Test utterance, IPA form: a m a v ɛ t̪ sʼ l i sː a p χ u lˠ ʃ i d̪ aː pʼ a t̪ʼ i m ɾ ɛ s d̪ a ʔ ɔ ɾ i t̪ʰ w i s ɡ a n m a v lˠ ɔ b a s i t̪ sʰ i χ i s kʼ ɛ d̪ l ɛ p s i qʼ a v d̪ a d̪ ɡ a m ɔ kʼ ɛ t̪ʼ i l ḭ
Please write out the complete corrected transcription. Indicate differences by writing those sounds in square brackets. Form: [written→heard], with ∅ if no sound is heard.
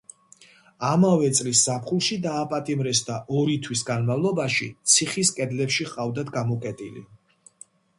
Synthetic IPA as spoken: a m a v ɛ t̪ sʼ l i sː a p χ u lˠ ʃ i d̪ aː pʼ a t̪ʼ i m ɾ ɛ s d̪ a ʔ ɔ ɾ i t̪ʰ w i s ɡ a n m a v lˠ ɔ b a [s→ʃ] i t̪ sʰ i χ i s kʼ ɛ d̪ l ɛ p [s→ʃ] i qʼ a v d̪ a d̪ ɡ a m ɔ kʼ ɛ t̪ʼ i l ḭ